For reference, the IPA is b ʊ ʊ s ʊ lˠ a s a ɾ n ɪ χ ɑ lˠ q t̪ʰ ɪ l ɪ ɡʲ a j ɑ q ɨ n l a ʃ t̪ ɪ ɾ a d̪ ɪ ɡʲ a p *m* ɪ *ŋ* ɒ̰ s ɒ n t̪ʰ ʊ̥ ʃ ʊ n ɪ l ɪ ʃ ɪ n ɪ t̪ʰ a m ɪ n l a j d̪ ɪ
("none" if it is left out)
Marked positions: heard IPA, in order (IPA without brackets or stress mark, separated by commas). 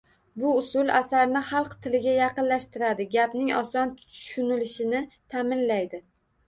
n, ŋ